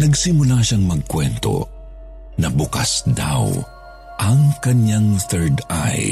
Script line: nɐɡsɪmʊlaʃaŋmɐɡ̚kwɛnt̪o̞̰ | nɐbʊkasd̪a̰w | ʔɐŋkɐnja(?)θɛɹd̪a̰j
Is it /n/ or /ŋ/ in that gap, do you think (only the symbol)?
ŋ